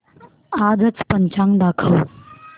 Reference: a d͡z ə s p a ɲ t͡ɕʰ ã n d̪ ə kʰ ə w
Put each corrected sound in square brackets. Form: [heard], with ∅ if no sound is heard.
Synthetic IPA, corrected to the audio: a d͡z ə [t͡s] p [ə] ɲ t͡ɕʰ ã [ŋ] d̪ [a] kʰ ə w